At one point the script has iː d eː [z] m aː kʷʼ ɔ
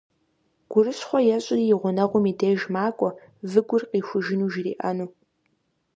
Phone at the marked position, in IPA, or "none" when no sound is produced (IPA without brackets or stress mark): ʒ